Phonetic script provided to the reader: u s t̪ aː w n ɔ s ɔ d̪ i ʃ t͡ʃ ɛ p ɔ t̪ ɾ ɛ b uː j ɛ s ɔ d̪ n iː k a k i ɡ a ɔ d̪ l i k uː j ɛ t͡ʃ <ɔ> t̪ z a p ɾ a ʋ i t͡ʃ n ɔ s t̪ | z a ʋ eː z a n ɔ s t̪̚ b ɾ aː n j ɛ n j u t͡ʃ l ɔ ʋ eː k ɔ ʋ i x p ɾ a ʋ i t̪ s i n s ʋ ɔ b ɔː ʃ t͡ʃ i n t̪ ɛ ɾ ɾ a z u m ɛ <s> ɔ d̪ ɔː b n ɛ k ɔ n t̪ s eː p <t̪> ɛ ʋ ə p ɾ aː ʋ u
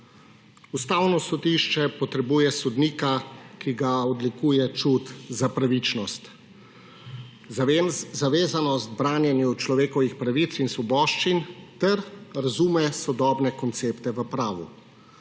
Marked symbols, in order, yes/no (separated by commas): no, yes, yes